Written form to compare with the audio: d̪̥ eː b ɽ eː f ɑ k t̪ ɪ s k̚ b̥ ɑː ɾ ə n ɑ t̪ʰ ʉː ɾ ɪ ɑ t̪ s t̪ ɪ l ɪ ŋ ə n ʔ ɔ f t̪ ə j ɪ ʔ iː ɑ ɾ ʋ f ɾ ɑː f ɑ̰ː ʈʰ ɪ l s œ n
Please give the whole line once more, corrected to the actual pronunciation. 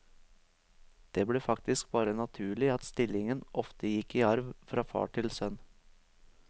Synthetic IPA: d̪̥ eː b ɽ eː f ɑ k t̪ ɪ s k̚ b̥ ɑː ɾ ə n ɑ t̪ʰ ʉː ɭ ɪ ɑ t̪ s t̪ ɪ l ɪ ŋ ə n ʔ ɔ f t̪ ə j ɪ k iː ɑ ɾ ʋ f ɾ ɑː f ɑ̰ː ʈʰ ɪ l s œ n